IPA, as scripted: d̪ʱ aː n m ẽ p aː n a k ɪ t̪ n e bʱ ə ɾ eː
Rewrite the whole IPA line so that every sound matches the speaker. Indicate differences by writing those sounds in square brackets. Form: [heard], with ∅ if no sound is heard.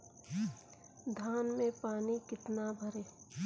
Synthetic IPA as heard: d̪ʱ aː n m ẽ p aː n [i] k ɪ t̪ n [a] bʱ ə ɾ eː

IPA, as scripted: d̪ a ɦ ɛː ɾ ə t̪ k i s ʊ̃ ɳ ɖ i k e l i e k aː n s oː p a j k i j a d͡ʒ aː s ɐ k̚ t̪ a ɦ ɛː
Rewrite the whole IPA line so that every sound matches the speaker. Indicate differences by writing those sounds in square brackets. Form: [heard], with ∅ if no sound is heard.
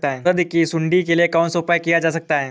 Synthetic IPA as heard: [t̪] a ɦ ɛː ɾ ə [d̪] k i s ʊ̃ ɳ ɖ i k e l i e k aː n s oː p a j k i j a d͡ʒ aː s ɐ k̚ t̪ a ɦ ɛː

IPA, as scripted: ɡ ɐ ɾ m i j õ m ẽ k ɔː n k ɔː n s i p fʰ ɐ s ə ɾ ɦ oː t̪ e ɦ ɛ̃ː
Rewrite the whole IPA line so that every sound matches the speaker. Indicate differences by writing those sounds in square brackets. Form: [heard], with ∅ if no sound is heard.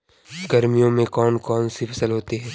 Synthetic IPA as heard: ɡ ɐ ɾ m i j õ m ẽ k ɔː n k ɔː n s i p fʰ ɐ s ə [l] ɦ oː t̪ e ɦ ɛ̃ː

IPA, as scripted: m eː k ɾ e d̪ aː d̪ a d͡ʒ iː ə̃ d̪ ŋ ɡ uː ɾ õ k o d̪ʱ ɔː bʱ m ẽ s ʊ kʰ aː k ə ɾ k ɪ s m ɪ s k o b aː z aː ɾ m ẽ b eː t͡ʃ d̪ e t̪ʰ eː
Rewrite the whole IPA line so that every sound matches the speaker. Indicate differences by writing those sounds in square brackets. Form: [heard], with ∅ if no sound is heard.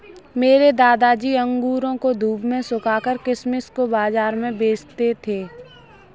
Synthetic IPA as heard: m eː [∅] ɾ e d̪ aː d̪ a d͡ʒ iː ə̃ [∅] ŋ ɡ uː ɾ õ k o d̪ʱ [uː] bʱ m ẽ s ʊ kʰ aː k ə ɾ k ɪ s m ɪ s k o b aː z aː ɾ m ẽ b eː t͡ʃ [t̪] e t̪ʰ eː

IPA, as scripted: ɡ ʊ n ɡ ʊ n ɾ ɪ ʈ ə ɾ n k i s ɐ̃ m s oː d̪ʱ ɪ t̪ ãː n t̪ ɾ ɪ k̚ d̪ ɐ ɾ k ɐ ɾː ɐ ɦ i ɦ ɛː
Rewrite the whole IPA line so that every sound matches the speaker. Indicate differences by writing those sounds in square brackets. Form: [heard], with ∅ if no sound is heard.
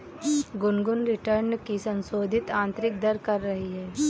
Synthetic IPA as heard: ɡ ʊ n ɡ ʊ n ɾ ɪ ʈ ə ɾ n k i s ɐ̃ [n] s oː d̪ʱ ɪ t̪ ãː n t̪ ɾ ɪ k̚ d̪ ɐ ɾ k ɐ ɾː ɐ ɦ i ɦ ɛː

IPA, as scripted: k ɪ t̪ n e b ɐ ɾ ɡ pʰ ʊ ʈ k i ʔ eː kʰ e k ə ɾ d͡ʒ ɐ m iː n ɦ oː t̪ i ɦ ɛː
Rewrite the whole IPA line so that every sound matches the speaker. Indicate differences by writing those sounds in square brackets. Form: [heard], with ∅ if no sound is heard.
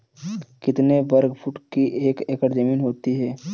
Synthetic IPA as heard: k ɪ t̪ n e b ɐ ɾ ɡ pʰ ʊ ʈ k i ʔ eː [k] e k ə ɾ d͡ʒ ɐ m iː n ɦ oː t̪ i ɦ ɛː

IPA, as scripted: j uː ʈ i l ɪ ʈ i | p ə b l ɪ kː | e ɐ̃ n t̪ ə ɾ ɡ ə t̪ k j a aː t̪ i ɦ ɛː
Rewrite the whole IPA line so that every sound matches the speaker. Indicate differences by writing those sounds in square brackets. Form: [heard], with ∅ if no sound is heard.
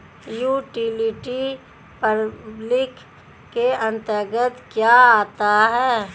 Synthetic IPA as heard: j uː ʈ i l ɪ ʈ i | p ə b l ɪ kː | e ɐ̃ n t̪ ə ɾ ɡ ə t̪ k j a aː t̪ [a] ɦ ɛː

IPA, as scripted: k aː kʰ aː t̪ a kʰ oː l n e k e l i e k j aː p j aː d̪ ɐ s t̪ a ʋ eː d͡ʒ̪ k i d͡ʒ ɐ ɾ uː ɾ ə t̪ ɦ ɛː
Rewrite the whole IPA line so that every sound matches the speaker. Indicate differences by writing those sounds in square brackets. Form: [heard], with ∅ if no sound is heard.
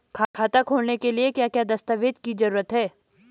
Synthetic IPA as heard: [kʰ] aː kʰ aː t̪ a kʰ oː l n e k e l i e k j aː [k] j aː d̪ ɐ s t̪ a ʋ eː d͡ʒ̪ k i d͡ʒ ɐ ɾ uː ɾ ə t̪ ɦ ɛː

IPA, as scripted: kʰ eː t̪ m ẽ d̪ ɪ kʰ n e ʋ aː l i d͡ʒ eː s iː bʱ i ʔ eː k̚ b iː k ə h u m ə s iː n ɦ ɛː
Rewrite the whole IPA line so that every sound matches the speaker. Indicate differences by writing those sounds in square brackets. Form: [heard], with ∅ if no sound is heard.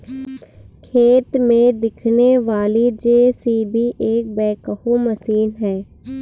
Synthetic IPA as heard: kʰ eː t̪ m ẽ d̪ ɪ kʰ n e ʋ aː l i d͡ʒ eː s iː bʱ i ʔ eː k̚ b [ɛː] k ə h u m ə s iː n ɦ ɛː

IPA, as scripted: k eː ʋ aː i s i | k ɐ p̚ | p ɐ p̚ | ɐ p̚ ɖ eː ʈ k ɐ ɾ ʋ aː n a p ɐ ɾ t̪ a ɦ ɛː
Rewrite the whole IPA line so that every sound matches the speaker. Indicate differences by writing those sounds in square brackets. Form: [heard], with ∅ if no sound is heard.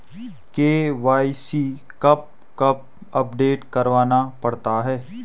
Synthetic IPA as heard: k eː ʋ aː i s i | k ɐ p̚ | [k] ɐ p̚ | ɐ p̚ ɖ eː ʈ k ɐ ɾ ʋ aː n a p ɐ [ɽ] t̪ a ɦ ɛː

